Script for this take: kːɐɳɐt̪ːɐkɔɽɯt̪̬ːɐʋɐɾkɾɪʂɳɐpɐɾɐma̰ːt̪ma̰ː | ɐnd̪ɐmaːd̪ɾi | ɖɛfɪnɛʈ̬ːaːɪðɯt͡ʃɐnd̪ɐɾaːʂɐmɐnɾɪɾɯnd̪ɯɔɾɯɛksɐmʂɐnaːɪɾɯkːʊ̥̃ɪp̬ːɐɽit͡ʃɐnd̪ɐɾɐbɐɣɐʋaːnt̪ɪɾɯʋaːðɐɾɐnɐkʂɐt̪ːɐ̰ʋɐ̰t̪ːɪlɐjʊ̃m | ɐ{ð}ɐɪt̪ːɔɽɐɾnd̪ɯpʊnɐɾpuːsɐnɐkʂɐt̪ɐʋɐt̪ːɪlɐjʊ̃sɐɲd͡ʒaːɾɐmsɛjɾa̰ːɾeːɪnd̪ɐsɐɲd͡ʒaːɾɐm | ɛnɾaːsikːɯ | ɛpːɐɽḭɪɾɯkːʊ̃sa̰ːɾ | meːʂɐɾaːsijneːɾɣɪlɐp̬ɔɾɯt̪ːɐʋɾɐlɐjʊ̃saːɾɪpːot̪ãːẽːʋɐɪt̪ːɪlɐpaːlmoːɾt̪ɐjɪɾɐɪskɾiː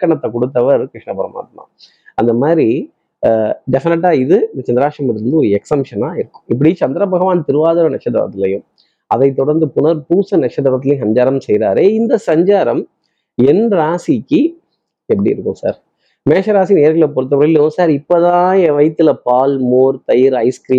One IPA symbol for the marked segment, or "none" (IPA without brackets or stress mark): ð